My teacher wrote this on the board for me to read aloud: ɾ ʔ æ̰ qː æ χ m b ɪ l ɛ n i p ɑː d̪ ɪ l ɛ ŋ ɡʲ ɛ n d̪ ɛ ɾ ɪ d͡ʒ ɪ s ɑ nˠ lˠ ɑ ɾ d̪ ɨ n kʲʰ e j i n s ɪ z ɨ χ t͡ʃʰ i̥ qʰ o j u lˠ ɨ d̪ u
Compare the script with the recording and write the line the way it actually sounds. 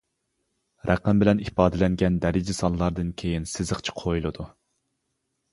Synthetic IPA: ɾ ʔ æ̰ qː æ m b ɪ l ɛ n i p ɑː d̪ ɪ l ɛ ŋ ɡʲ ɛ n d̪ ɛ ɾ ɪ d͡ʒ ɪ s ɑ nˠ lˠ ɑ ɾ d̪ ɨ n kʲʰ e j i n s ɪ z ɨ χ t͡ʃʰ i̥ qʰ o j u lˠ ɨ d̪ u